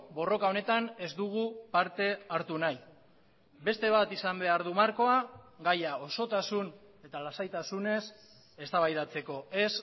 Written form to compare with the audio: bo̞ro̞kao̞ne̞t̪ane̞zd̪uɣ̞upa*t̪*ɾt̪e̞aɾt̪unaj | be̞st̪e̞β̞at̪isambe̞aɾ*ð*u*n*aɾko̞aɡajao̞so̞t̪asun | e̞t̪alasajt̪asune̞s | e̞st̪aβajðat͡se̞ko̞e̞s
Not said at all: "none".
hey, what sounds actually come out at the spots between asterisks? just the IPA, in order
none, ð, m

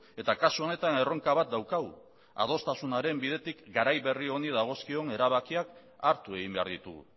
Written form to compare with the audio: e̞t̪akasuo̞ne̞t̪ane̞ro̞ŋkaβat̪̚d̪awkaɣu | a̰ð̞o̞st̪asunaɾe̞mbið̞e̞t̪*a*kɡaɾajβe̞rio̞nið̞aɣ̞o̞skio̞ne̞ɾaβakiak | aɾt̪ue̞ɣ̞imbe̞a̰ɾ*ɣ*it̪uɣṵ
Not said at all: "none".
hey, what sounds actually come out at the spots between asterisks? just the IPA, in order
i, ð

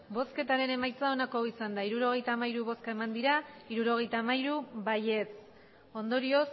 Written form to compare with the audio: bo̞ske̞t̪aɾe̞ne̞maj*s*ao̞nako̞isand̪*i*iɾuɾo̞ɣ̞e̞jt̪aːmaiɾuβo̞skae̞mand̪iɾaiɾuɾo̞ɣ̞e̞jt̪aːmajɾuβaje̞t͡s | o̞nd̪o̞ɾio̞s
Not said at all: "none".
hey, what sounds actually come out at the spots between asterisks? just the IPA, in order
t͡s, a

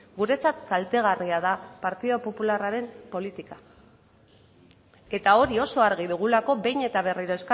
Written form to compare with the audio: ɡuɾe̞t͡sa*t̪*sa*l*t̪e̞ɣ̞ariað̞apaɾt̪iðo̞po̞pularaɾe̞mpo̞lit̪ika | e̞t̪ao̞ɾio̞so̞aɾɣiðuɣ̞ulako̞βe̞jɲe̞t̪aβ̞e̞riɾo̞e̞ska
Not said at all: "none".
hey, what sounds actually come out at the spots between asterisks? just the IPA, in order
t̪, l

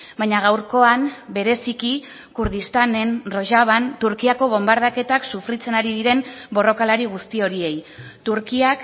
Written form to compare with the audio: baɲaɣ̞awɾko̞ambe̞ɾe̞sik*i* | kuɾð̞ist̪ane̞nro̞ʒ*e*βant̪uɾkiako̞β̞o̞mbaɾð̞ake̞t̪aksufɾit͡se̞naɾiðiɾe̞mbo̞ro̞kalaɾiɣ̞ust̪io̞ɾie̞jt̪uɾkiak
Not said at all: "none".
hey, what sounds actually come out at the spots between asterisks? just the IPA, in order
i, a

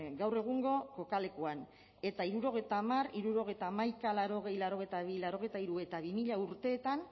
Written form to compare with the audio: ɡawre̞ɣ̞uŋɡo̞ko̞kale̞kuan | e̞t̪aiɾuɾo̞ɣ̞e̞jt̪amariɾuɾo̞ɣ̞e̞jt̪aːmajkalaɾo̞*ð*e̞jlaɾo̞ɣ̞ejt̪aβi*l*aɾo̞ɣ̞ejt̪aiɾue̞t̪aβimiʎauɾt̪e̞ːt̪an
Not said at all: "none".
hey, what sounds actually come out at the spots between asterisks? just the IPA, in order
ɣ, l

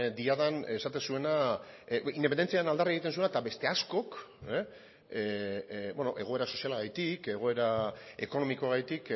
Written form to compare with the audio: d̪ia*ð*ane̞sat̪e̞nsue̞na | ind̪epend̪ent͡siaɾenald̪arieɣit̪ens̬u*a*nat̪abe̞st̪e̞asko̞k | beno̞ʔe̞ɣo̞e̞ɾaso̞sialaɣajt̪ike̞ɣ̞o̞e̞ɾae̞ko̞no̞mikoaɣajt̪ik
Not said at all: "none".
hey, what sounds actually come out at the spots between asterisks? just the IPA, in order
ð, e

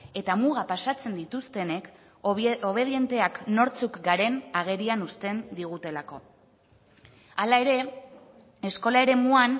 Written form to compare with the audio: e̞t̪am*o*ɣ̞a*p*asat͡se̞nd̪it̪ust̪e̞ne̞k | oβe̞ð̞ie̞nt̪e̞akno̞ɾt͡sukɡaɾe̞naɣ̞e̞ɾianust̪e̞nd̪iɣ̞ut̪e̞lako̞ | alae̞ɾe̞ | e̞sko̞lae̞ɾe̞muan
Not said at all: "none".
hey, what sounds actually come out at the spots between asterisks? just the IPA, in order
u, p

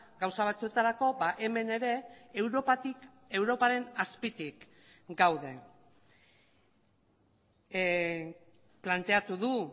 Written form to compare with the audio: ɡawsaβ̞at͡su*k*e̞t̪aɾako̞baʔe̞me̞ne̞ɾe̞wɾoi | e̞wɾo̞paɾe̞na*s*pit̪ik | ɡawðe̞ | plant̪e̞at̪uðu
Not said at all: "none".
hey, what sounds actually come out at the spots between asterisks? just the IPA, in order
none, s

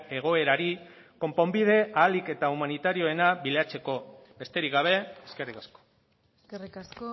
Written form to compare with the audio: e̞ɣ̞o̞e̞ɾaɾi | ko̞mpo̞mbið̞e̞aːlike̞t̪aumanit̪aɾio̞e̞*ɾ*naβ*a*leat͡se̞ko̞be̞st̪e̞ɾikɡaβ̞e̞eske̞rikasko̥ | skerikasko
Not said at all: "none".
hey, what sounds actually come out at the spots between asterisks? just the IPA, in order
none, i

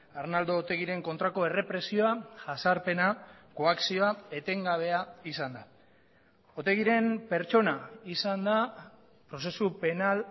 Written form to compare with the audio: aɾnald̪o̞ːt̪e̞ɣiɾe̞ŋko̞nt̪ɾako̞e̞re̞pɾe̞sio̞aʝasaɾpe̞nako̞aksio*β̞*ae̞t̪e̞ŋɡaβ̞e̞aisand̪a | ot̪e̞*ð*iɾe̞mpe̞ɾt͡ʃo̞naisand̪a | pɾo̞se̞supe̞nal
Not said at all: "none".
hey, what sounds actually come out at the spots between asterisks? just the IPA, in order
none, ɣ

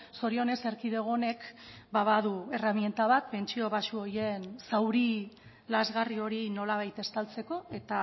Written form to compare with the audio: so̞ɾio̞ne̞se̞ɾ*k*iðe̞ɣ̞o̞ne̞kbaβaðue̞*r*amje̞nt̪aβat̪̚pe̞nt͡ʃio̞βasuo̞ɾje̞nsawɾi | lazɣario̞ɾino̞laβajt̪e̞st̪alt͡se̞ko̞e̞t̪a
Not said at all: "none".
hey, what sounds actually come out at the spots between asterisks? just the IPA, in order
k, r

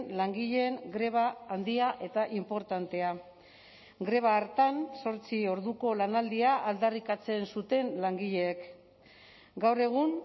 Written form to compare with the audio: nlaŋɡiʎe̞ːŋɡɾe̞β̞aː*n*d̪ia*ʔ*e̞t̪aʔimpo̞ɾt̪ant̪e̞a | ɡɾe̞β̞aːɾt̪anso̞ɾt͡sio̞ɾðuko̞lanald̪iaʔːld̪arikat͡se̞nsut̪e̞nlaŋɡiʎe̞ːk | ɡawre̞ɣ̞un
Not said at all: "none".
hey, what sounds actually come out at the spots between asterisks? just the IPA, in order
n, ʔ

